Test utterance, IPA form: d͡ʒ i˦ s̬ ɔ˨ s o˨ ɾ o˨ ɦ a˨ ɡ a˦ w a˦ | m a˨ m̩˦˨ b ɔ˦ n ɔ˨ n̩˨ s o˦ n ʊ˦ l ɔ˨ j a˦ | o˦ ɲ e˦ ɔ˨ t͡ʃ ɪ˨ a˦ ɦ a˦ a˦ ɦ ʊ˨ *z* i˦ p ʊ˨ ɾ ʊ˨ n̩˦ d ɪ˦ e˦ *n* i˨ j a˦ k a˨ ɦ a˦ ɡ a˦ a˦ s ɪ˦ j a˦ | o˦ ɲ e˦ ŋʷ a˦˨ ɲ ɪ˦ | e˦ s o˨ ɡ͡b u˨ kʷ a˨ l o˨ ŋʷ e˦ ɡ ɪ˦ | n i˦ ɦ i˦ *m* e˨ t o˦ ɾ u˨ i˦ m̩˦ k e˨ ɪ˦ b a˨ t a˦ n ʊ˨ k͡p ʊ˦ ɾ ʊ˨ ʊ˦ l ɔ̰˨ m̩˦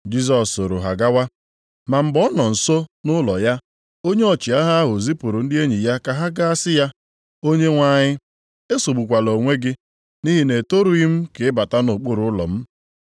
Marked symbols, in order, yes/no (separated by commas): yes, no, no